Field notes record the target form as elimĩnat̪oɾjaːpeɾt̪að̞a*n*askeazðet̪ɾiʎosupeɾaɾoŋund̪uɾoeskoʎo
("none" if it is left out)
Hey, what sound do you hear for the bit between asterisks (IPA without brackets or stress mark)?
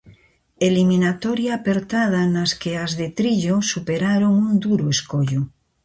n